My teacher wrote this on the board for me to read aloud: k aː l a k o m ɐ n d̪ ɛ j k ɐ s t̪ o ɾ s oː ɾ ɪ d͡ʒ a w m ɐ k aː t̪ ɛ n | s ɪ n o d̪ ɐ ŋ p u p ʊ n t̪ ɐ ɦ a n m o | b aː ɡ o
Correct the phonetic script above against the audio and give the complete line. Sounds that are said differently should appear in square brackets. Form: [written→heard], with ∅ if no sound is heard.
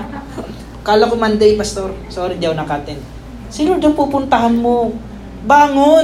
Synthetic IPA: k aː l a k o m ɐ n d̪ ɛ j [k→p] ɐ s t̪ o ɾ s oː ɾ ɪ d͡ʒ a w [m→n] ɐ k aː t̪ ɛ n | s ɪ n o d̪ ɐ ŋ p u p ʊ n t̪ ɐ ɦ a n m o | b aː [ɡ→ŋ] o